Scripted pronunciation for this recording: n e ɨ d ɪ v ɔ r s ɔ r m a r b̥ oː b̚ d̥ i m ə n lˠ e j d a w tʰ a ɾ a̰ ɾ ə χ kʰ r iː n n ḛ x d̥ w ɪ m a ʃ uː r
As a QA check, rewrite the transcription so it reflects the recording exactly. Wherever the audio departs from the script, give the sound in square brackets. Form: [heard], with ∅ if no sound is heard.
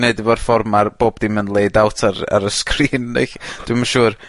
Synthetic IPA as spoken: n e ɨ d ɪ v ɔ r [f] ɔ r m a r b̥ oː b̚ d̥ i m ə n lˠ e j d a w tʰ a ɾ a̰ ɾ ə [s] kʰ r iː n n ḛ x d̥ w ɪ m a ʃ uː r